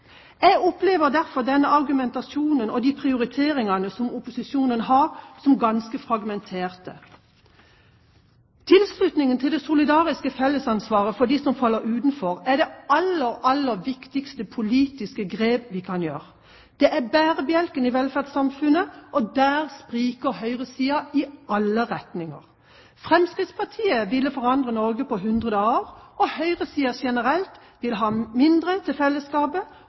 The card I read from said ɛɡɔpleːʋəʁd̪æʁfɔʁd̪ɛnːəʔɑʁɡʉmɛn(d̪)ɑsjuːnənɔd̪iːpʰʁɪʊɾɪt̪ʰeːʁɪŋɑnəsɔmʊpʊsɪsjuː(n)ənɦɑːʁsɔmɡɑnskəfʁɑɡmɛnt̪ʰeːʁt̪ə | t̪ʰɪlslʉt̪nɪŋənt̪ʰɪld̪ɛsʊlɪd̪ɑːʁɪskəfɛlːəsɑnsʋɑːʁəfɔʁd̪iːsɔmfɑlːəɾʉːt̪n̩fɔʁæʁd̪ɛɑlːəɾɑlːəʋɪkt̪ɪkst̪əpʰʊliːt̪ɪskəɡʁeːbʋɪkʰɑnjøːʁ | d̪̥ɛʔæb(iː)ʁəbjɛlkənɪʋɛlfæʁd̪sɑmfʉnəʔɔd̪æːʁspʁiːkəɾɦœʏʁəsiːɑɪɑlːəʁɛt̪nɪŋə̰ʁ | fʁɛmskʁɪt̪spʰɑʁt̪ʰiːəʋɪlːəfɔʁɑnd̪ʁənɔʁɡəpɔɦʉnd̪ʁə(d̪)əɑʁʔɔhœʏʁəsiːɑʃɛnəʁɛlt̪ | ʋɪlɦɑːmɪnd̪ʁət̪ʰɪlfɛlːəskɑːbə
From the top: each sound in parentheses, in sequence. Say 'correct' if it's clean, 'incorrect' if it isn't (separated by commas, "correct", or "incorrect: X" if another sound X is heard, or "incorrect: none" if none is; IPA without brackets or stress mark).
incorrect: t̪, correct, incorrect: æː, correct